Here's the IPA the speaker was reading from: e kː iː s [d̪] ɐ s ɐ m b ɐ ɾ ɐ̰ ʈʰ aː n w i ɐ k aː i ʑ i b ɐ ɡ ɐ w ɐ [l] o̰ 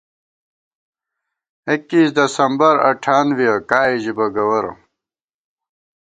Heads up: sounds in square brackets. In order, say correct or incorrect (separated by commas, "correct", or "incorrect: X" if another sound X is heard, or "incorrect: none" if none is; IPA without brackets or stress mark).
correct, incorrect: ɾ